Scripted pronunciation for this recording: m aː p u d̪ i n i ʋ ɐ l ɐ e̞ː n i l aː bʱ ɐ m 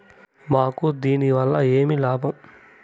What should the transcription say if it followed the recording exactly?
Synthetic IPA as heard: m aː k u d̪ iː n i ʋ ɐ lː ɐ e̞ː m i l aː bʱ ɐ m